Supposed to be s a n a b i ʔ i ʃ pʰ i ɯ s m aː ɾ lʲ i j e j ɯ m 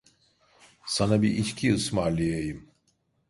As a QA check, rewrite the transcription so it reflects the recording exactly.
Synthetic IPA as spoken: s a n a b i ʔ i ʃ cʰ i ɯ s m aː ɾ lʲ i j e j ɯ m

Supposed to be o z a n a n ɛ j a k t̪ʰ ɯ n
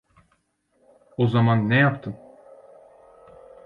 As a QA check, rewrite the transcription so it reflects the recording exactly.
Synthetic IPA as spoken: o z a m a nː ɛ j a p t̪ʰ ɯ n

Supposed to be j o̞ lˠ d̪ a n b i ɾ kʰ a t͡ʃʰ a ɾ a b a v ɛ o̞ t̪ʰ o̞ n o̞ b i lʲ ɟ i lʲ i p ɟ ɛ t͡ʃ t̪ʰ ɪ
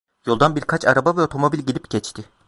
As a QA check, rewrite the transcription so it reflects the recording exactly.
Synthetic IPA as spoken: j o̞ lˠ d̪ a n b i ɾ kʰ a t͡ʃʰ a ɾ a b a v ɛ o̞ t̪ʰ o̞ m o̞ b i lʲ ɟ i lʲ i p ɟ ɛ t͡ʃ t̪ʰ ɪ

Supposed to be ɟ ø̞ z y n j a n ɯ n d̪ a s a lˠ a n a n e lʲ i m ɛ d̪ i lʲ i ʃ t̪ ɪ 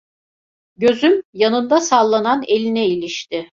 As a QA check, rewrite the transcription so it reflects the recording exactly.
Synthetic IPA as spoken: ɟ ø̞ z y m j a n ɯ n d̪ a s a lˠː a n a n e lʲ i n ɛ i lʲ i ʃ t̪ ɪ

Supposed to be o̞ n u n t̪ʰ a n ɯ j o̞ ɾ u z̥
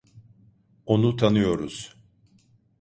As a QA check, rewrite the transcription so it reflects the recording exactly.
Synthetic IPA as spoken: o̞ n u t̪ʰ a n ɯ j o̞ ɾ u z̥

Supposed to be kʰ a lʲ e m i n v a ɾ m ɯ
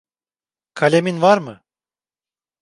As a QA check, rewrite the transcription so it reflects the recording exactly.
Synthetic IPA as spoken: kʰ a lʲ e m i n v a ɾ m ɯ

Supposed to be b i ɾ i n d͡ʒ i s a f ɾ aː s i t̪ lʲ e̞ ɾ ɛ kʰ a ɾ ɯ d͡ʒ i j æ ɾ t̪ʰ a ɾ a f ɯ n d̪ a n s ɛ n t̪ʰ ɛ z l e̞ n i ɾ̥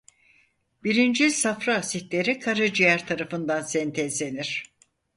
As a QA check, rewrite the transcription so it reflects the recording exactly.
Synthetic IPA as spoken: b i ɾ i n d͡ʒ i s a f ɾ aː s i t̪ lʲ e̞ ɾ i kʰ a ɾ ɯ d͡ʒ i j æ ɾ t̪ʰ a ɾ a f ɯ n d̪ a n s ɛ n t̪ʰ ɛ z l e̞ n i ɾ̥

